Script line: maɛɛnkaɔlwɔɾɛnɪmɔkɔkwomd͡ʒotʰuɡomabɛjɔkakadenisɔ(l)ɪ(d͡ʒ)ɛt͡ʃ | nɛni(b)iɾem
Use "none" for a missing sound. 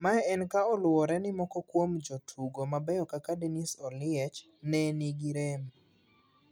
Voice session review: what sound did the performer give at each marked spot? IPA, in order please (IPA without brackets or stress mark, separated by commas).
l, none, ɡ